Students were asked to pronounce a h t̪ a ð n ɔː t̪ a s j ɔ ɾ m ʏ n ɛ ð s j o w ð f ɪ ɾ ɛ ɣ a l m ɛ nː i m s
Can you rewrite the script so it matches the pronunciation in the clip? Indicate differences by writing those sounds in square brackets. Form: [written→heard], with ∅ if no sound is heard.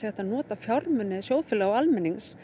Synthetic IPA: [a→ɛ] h t̪ a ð n ɔː t̪ a [s→f] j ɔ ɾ m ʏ n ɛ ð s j o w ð f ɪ [ɾ→l] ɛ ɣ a l m ɛ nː i [m→ŋ] s